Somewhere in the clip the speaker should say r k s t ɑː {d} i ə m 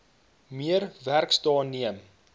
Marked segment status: incorrect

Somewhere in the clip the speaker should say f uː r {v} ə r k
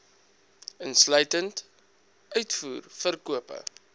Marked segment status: incorrect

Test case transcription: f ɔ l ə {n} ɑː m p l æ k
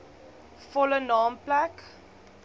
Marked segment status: correct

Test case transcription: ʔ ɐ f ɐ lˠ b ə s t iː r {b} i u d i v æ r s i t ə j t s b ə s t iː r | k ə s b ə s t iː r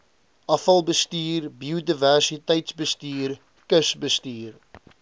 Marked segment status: correct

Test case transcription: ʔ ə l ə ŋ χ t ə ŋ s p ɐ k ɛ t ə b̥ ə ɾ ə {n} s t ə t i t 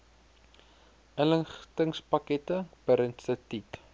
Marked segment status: correct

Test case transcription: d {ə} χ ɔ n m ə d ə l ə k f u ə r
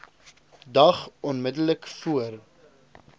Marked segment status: incorrect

